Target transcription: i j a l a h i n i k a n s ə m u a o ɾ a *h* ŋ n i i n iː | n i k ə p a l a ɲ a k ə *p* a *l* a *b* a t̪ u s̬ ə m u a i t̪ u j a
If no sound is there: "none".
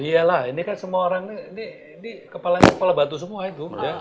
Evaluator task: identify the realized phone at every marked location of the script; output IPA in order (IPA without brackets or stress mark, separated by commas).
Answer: none, p, l, b